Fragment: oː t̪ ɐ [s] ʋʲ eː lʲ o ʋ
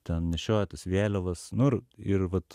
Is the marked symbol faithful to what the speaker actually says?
yes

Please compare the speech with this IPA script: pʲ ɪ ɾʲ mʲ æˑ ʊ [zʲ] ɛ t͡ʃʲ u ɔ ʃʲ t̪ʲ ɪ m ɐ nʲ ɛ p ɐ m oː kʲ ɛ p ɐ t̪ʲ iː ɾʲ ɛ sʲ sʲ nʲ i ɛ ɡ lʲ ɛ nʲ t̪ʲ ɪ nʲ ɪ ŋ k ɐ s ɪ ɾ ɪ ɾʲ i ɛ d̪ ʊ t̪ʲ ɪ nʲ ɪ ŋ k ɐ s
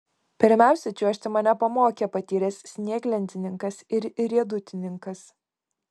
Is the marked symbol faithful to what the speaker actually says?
no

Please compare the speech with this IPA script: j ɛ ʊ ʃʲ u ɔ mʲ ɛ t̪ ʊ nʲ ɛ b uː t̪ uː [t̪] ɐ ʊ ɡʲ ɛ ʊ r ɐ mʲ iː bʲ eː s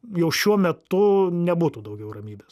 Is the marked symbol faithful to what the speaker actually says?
no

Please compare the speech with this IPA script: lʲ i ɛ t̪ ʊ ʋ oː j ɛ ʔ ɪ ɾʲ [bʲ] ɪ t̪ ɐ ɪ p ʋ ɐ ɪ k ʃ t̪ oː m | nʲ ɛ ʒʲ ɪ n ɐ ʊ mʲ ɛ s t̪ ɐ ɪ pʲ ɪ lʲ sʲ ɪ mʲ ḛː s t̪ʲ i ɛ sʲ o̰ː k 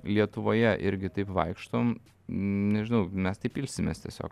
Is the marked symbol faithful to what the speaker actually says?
no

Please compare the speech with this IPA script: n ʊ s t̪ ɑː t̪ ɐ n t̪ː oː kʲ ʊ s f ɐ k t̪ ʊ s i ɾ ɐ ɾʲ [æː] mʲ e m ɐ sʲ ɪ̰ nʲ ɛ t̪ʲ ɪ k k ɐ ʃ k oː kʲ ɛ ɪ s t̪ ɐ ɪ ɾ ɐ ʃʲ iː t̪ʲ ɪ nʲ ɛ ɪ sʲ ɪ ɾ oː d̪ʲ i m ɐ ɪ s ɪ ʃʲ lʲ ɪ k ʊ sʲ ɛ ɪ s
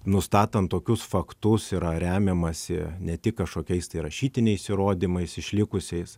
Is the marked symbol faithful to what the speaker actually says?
yes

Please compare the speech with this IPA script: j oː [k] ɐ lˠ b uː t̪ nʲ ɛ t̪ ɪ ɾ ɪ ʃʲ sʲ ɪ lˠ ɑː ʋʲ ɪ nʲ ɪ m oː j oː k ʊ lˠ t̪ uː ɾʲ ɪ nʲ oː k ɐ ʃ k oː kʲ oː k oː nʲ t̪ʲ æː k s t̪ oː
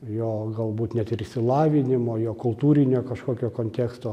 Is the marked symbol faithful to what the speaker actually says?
no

